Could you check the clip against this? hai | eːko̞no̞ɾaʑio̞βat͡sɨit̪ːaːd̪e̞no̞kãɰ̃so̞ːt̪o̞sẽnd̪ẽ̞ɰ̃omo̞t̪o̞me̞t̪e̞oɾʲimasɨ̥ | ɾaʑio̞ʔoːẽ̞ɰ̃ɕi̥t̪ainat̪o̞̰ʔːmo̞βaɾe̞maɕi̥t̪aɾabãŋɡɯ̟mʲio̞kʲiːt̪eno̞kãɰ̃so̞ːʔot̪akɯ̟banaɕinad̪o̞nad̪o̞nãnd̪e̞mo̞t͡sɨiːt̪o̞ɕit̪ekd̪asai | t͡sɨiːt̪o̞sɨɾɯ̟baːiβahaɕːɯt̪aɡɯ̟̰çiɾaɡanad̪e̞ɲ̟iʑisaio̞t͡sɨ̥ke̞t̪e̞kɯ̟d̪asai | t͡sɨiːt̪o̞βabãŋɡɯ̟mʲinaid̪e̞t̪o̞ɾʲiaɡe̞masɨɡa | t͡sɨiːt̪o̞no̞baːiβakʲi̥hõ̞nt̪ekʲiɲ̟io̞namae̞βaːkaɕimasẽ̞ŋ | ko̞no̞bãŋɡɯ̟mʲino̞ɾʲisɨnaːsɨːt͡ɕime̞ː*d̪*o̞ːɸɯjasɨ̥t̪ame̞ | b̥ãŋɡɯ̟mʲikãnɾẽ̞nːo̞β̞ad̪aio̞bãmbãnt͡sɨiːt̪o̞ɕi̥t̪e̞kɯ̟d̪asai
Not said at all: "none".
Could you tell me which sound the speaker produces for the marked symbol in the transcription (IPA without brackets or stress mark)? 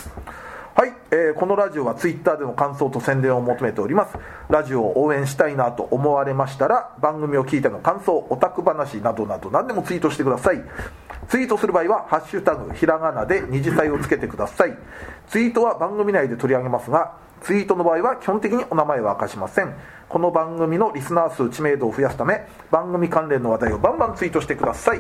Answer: d̪